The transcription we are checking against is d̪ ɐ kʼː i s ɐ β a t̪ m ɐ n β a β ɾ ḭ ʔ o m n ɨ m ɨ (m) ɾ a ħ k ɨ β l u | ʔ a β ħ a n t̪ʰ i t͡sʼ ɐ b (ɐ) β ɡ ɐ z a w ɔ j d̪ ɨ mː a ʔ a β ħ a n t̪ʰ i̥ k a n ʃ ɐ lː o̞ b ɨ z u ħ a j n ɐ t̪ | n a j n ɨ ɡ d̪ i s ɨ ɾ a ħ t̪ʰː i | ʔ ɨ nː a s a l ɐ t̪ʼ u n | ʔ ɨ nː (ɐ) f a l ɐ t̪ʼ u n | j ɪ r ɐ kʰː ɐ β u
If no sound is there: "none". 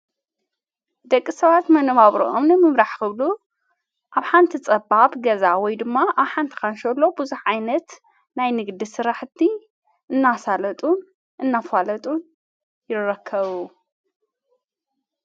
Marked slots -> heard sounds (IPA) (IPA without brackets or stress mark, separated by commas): m, a, a